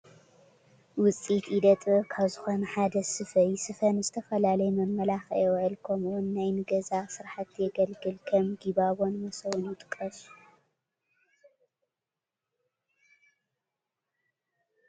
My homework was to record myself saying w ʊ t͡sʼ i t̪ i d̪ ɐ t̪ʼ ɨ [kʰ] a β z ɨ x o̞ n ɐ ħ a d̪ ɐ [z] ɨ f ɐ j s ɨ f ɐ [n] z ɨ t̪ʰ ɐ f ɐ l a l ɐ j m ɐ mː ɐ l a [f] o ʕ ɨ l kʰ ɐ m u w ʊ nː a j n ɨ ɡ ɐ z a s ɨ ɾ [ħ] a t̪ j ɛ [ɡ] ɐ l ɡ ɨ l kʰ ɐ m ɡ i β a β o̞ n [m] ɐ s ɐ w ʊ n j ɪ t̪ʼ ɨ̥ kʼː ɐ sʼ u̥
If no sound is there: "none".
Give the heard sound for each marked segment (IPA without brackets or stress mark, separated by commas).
kʰ, s, n, x, ħ, ɡ, m